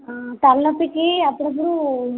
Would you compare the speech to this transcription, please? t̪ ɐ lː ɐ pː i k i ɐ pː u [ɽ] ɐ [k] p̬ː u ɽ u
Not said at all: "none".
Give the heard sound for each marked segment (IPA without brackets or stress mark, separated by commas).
ɽ, none